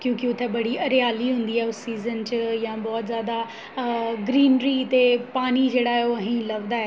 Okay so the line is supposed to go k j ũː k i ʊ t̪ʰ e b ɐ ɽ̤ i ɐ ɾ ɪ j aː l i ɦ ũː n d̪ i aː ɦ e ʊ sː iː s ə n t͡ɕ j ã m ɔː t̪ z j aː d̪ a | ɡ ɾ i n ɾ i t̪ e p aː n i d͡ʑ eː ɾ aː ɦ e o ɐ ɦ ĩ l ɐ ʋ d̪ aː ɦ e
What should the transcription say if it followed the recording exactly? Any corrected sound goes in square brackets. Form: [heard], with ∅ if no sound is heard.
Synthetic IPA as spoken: k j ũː k i ʊ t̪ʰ e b ɐ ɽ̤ i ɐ ɾ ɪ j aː l i ɦ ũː n d̪ i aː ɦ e ʊ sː iː [z] ə n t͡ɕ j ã [b] ɔː t̪ z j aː d̪ a | ɡ ɾ [iː] n ɾ i t̪ e p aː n i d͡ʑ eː [ɽ] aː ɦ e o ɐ ɦ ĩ l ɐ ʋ d̪ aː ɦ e